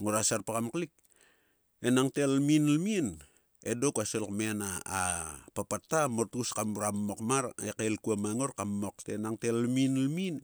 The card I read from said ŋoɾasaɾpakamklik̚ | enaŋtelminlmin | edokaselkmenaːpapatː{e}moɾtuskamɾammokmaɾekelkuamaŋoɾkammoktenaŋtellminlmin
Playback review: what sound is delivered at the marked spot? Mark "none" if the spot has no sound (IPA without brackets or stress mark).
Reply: a